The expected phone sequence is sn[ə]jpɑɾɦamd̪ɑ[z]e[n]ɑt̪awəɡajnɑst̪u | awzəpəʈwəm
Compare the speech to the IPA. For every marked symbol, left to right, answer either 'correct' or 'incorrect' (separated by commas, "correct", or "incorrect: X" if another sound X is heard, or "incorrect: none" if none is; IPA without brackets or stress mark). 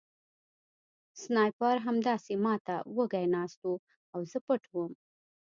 incorrect: ɑ, incorrect: s, incorrect: m